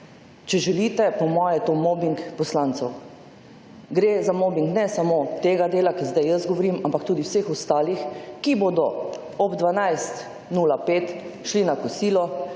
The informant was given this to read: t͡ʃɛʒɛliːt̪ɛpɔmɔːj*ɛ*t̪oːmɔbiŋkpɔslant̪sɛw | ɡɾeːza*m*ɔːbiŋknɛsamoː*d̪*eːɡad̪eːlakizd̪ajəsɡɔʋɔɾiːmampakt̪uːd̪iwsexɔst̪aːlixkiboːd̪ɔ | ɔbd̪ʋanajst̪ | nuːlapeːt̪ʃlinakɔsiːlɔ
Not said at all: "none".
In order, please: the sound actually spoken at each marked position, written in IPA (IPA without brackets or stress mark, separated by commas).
ɛ, m, t̪